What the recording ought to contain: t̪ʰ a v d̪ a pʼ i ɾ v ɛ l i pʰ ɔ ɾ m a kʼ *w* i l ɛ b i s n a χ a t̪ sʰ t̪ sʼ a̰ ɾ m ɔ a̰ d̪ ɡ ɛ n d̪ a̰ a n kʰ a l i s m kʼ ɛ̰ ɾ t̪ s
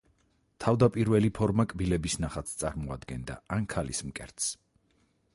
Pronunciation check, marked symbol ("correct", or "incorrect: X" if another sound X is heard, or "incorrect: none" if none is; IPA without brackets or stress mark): incorrect: b